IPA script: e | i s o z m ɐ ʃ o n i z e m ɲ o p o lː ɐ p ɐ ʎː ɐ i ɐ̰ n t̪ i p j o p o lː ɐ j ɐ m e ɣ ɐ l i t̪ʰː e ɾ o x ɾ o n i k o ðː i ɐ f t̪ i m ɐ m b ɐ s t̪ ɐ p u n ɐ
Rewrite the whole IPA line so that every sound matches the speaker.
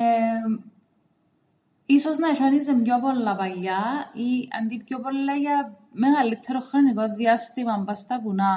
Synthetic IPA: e | i s o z n ɐ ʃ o n i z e m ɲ o p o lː ɐ p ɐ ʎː ɐ i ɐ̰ n d̪ i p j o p o lː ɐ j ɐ m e ɣ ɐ l i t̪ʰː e ɾ o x ɾ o n i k o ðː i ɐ s t̪ i m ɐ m b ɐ s t̪ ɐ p u n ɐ